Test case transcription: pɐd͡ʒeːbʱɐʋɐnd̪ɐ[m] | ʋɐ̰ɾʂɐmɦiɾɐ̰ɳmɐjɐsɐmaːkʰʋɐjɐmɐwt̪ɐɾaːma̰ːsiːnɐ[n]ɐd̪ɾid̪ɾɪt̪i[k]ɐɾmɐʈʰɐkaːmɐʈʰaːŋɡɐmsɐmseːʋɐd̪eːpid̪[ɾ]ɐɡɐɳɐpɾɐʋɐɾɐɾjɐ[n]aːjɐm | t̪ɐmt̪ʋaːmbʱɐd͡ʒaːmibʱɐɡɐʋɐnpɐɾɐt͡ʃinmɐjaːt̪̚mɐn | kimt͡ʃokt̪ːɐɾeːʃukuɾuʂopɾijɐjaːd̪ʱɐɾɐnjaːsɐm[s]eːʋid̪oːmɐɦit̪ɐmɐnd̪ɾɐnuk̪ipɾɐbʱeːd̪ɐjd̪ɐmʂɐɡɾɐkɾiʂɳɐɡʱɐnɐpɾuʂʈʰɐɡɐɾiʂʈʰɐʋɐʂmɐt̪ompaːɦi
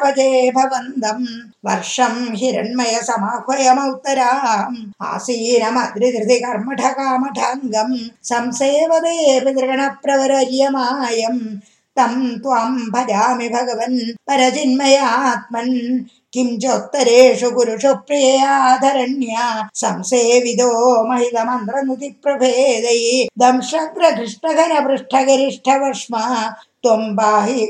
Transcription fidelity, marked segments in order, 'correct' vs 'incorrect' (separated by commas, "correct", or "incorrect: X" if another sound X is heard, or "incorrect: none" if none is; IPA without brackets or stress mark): correct, incorrect: m, correct, correct, incorrect: m, correct